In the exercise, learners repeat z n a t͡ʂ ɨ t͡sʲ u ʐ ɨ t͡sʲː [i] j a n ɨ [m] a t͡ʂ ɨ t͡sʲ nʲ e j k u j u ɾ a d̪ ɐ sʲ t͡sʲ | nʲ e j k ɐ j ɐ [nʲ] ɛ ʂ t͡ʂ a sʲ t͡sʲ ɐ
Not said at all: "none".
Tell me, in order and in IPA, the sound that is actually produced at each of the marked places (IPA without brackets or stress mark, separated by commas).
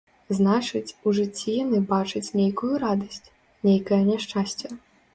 i, b, nʲ